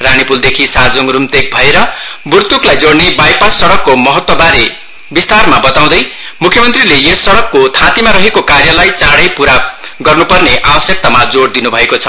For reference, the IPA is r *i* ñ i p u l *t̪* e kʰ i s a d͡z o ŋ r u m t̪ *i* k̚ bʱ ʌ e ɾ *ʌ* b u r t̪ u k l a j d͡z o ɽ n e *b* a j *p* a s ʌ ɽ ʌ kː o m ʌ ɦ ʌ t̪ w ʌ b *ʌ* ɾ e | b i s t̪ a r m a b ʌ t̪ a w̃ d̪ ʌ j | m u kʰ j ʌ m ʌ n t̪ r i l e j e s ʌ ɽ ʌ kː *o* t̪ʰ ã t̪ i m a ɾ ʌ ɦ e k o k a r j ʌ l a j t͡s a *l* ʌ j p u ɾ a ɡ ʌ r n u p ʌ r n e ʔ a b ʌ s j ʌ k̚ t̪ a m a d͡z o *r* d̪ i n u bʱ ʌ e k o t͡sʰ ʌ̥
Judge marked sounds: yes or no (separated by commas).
no, no, no, yes, yes, yes, no, yes, no, no